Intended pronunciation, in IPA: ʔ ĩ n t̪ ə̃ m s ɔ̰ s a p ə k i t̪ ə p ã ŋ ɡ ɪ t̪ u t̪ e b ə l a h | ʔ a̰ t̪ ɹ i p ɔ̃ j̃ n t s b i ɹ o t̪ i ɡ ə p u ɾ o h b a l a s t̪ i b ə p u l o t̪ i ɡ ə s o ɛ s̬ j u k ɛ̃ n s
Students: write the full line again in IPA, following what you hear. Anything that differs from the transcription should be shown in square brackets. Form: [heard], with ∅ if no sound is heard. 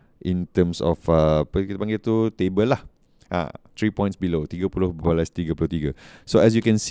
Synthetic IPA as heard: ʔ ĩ n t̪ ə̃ m s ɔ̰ [f] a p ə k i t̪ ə p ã ŋ ɡ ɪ t̪ u t̪ e b ə l a h | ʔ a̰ t̪ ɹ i p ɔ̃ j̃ n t s b i [l] o t̪ i ɡ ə p u [l] o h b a l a s t̪ i [ɡ] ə p u l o t̪ i ɡ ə s o ɛ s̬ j u k ɛ̃ n s